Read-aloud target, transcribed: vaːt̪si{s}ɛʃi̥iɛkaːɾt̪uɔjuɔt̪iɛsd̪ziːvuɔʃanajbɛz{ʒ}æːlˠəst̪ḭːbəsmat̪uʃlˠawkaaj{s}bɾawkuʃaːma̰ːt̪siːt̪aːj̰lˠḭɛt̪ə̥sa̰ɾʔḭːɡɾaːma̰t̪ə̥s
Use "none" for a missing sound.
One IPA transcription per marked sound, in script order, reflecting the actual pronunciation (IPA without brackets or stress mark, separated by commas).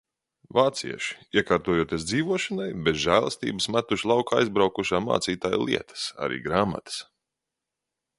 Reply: none, ʒ, z